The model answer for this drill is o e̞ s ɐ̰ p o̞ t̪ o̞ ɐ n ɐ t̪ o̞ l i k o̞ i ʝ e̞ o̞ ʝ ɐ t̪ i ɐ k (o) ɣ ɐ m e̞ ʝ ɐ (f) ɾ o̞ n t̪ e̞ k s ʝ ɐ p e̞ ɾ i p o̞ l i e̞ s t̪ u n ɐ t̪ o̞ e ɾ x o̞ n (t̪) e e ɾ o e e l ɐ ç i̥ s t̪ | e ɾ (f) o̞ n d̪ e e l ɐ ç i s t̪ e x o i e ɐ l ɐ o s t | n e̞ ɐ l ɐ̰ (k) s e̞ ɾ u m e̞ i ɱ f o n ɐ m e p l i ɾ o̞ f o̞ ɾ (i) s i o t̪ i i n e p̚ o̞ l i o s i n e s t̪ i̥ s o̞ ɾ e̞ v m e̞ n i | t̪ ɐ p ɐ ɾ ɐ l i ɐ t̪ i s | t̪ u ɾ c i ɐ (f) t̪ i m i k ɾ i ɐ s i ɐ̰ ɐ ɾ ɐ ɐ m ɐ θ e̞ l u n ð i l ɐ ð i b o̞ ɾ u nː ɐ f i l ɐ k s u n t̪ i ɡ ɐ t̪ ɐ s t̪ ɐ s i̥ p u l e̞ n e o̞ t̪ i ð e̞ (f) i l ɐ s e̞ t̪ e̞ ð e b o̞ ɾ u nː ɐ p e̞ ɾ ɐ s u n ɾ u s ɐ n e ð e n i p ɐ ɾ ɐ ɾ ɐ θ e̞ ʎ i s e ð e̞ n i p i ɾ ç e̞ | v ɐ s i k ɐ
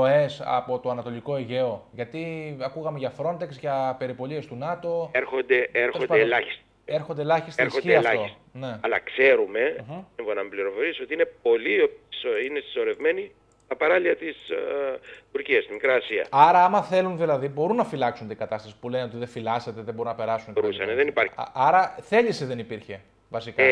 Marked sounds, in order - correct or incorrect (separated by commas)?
incorrect, correct, incorrect, incorrect, correct, correct, incorrect, correct